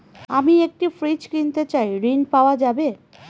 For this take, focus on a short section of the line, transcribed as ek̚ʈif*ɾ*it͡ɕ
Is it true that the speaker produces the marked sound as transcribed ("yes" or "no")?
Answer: yes